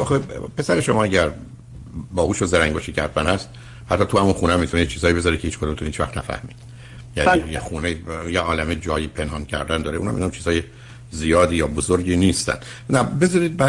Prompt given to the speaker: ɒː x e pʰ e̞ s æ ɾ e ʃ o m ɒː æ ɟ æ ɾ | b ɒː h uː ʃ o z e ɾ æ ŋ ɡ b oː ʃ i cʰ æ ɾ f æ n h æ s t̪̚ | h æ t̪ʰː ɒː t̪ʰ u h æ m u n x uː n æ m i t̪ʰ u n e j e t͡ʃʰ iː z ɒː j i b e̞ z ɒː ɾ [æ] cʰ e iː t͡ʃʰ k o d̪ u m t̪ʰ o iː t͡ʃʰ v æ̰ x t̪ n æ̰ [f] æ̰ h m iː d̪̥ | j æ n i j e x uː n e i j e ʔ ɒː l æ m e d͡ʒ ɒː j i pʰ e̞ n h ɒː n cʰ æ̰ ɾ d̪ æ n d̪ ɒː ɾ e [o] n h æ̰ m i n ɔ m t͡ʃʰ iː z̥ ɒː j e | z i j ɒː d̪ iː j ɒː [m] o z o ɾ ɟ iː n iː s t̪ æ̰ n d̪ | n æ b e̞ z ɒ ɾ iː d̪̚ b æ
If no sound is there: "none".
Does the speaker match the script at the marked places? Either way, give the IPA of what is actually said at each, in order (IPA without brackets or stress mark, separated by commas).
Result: i, f, u, b